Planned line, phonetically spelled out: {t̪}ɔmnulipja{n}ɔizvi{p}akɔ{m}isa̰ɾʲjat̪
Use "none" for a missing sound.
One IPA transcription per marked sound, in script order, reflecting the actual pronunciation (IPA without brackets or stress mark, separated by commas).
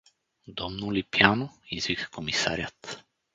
d̪, n, k, m